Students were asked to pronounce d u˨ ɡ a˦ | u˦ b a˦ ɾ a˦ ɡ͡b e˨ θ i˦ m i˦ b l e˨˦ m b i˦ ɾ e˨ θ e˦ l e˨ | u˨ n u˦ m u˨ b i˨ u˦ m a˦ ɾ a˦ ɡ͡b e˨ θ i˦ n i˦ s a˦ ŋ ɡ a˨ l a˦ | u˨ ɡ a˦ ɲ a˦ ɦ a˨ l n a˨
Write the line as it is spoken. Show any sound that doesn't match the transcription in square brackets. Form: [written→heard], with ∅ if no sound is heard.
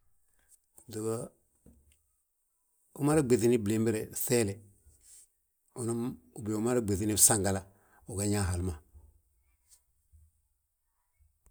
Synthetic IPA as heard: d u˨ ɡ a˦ | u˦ [b→m] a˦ ɾ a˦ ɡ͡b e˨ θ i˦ [m→n] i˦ b l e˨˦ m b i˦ ɾ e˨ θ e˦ l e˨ | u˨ n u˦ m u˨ b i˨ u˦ m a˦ ɾ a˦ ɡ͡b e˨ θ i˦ n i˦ s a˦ ŋ ɡ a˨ l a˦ | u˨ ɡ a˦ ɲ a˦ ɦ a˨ l [n→m] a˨